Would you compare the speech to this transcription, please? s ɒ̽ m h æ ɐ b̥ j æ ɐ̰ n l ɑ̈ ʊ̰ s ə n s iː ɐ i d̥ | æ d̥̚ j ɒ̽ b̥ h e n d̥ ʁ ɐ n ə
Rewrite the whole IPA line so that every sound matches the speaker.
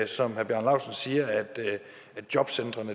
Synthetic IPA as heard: s ɒ̽ m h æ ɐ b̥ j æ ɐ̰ n l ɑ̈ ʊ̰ s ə n s iː ɐ æ d̥ | æ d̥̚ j ɒ̽ b̥ s e n d̥ ʁ ɐ n ə